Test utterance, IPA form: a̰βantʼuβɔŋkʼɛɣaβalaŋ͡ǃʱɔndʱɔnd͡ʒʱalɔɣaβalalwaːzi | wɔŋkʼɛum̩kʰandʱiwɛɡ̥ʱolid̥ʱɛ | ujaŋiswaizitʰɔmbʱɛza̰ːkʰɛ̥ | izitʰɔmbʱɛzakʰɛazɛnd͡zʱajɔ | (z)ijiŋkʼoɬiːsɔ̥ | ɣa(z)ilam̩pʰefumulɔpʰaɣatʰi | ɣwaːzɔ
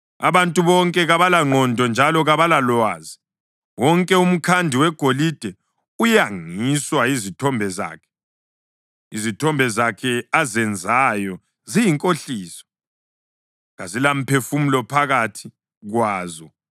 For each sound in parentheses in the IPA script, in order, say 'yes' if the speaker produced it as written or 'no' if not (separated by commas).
yes, yes